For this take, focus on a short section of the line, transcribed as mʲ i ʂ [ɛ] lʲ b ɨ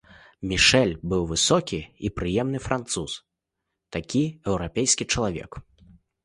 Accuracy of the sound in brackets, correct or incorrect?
correct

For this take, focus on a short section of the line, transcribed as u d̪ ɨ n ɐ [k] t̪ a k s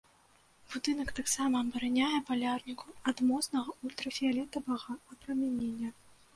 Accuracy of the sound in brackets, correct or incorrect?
correct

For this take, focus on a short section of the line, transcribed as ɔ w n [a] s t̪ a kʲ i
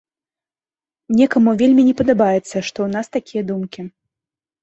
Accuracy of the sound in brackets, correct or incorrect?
correct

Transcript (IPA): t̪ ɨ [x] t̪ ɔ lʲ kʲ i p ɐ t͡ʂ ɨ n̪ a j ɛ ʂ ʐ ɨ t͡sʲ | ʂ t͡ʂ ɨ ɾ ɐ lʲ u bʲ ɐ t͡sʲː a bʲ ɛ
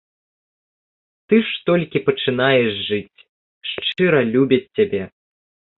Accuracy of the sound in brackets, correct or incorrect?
incorrect: ʂ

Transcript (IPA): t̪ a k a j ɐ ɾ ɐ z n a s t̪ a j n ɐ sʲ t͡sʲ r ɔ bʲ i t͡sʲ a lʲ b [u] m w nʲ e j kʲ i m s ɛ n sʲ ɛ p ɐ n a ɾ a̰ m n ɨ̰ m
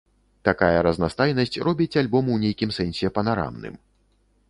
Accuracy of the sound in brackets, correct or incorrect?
incorrect: ɔ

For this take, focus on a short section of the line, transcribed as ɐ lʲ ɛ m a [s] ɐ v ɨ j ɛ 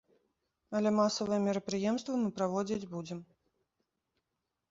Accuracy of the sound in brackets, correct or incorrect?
correct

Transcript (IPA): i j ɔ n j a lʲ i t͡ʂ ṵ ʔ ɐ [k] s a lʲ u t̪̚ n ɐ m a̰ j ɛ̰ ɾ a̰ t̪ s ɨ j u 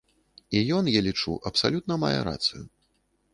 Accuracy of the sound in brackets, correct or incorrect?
incorrect: p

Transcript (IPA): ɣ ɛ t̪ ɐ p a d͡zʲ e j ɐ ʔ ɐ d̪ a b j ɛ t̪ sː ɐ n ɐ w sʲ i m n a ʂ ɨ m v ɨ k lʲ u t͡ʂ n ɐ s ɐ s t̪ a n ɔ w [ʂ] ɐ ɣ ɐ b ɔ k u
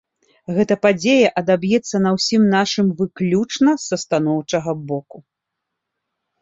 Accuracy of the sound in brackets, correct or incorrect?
incorrect: t͡ʂ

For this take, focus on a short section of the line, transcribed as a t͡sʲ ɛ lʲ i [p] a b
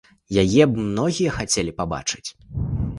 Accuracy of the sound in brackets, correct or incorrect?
correct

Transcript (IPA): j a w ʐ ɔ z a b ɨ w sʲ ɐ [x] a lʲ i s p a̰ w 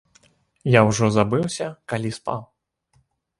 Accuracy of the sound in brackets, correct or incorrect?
incorrect: k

